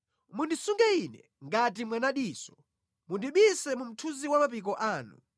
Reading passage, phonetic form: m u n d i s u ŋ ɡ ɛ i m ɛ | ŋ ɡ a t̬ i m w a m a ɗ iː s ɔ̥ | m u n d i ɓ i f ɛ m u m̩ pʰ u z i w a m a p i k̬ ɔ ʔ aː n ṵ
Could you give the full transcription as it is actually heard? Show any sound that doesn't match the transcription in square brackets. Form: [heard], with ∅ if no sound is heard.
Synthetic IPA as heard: m u n d i s u ŋ ɡ ɛ i [n] ɛ | ŋ ɡ a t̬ i m w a [n] a ɗ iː s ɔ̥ | m u n d i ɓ i [s] ɛ m u m̩ [tʰ] u z i w a m a p i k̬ ɔ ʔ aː n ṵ